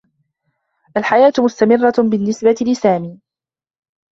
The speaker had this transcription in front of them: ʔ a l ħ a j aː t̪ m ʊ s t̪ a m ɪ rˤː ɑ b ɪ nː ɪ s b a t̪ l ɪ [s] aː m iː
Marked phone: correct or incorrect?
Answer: correct